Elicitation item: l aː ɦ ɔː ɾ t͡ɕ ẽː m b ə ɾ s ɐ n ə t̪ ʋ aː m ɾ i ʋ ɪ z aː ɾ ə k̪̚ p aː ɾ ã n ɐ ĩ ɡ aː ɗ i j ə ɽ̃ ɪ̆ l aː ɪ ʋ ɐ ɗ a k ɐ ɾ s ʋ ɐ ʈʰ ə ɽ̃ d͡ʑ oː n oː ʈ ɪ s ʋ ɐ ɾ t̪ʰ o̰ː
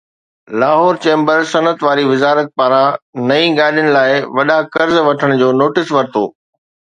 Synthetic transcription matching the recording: l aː ɦ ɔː ɾ t͡ɕ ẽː m b ə ɾ s ɐ n ə t̪ ʋ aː ɾ i ʋ ɪ z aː ɾ ə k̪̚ p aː ɾ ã n ɐ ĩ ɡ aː ɗ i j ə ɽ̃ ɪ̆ l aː ɪ ʋ ɐ ɗ a k ɐ ɾ z ʋ ɐ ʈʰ ə ɽ̃ d͡ʑ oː n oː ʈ ɪ s ʋ ɐ ɾ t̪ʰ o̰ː